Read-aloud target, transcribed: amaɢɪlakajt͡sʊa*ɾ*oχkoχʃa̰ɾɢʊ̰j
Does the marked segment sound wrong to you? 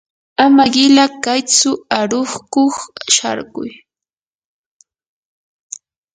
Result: no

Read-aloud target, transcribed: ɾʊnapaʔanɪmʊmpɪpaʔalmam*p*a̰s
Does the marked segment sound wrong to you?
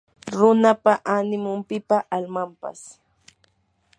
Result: no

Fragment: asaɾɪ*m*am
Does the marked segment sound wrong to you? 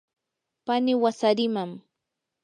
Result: no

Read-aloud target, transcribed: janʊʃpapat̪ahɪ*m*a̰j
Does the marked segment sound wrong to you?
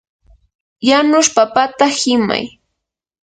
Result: no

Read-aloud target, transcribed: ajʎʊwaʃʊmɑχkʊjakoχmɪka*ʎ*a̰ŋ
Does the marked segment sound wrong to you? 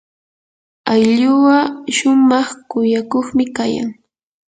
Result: yes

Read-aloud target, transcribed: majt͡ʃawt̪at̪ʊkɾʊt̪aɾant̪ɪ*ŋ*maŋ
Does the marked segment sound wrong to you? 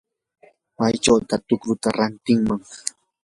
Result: no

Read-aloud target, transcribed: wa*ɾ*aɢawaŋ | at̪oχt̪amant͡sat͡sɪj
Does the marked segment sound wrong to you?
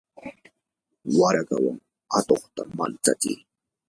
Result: no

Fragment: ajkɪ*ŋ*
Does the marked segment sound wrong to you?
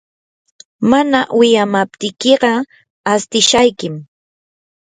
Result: yes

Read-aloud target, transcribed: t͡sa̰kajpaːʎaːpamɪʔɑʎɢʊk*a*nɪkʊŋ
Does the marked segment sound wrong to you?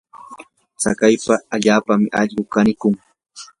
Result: no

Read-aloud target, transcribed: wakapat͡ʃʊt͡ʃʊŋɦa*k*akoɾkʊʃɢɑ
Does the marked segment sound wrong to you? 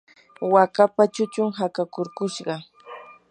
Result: no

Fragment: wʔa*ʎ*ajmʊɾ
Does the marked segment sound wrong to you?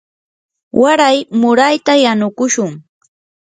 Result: yes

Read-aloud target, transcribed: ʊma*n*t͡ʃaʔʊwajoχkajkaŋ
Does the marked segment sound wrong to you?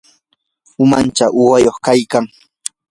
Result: no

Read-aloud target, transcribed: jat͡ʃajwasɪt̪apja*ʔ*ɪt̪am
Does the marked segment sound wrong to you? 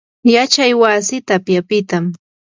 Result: yes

